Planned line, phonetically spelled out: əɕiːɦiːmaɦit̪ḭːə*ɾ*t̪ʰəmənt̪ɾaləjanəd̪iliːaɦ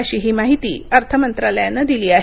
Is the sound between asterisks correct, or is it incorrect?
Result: correct